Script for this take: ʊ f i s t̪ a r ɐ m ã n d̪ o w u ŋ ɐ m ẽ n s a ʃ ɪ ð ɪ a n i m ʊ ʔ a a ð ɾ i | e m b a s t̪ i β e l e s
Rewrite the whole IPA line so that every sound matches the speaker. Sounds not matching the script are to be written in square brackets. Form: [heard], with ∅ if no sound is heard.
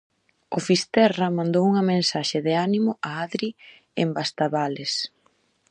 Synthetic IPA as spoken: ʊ f i s t̪ [ɛ] r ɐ m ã n d̪ o w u ŋ ɐ m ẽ n s a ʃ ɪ ð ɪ a n i m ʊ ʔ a a ð ɾ i | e m b a s t̪ [a] β [a] l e s